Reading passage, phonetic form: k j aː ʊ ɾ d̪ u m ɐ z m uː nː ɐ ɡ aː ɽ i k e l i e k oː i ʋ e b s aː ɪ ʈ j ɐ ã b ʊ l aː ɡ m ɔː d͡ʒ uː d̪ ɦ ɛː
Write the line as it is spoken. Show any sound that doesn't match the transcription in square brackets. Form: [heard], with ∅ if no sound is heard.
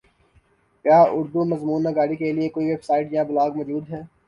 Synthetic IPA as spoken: k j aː ʊ ɾ d̪ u m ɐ z m uː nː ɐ ɡ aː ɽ i k e l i e k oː i ʋ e b s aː ɪ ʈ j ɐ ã b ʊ l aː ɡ m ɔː d͡ʒ uː d̪ ɦ ɛː